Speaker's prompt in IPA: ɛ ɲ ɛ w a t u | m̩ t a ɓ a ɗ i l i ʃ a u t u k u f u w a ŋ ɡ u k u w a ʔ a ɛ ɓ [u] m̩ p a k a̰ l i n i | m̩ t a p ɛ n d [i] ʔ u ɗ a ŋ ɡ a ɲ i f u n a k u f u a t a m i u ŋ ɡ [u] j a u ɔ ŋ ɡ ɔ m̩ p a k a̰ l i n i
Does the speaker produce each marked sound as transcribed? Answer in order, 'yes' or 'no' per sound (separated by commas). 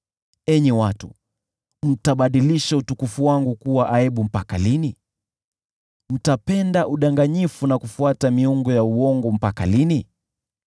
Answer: yes, no, no